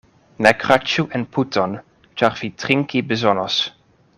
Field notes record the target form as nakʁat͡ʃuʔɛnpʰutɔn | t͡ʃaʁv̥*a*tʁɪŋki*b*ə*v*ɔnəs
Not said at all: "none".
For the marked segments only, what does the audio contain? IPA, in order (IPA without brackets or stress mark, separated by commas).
i, b, z